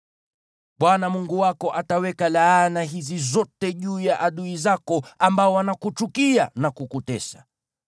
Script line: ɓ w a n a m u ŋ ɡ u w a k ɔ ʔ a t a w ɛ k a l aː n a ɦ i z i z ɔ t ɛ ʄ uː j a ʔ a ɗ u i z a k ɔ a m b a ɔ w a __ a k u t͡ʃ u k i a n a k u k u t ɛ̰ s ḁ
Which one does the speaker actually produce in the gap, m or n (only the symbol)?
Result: n